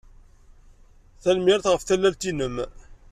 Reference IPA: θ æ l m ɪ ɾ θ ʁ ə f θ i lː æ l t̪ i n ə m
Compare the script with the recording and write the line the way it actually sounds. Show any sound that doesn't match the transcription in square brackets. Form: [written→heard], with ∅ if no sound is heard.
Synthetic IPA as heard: θ æ l m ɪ ɾ θ ʁ ə f θ [i→æ] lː æ l t̪ i n ə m